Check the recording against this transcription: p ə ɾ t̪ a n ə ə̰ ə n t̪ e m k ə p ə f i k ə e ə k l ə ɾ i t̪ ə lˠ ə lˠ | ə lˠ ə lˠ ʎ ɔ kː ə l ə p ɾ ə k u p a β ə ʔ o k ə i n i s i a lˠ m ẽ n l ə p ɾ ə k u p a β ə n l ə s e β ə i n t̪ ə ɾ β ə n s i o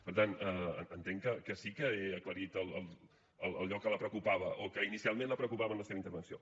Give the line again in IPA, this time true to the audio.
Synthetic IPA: p ə ɾ t̪ a n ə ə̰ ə n t̪ e ŋ k ə k ə s i k ə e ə k l ə ɾ i t̪ ə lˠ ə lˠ | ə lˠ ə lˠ ʎ ɔ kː ə l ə p ɾ ə k u p a β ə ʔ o k ə i n i s i a lˠ m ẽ n l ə p ɾ ə k u p a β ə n l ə s e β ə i n t̪ ə ɾ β ə n s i o